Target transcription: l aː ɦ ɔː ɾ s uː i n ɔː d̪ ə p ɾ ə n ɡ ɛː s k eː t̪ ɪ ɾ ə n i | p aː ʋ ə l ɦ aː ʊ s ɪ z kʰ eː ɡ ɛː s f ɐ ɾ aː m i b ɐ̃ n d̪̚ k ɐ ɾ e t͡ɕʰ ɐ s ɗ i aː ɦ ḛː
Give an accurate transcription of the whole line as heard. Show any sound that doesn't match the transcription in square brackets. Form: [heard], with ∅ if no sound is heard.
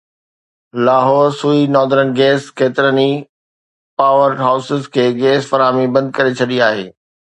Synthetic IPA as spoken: l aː ɦ ɔː ɾ s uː i n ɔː d̪ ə [∅] ɾ ə n ɡ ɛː s k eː t̪ ɪ ɾ ə n i | p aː ʋ ə [ɾ] ɦ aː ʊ s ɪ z kʰ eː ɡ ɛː s f ɐ ɾ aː m i b ɐ̃ n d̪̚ k ɐ ɾ e t͡ɕʰ ɐ [∅] ɗ i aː ɦ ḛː